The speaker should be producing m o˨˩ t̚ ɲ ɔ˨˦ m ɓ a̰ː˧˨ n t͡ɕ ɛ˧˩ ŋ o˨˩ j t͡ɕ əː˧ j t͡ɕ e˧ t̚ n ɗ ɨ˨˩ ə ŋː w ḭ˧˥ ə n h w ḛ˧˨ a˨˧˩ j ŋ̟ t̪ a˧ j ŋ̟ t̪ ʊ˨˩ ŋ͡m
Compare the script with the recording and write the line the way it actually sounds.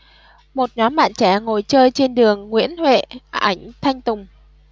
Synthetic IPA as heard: m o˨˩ t̚ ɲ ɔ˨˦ m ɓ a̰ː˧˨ n t͡ɕ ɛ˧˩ ŋ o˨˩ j t͡ɕ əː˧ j t͡ɕ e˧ n ɗ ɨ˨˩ ə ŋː w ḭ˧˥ ə n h w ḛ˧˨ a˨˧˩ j ŋ̟ t̪ʰ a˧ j ŋ̟ t̪ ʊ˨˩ ŋ͡m